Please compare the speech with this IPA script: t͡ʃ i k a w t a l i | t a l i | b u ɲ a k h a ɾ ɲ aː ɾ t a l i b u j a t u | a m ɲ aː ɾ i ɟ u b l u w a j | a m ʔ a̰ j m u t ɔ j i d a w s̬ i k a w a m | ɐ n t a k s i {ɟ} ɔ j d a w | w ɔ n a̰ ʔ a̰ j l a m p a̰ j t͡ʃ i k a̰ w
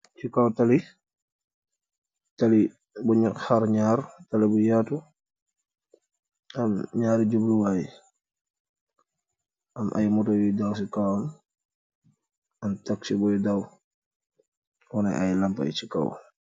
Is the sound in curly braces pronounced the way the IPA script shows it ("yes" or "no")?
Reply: no